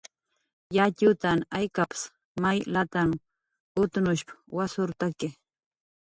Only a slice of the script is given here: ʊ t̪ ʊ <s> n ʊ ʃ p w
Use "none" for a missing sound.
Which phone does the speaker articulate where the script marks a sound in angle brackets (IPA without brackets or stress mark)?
none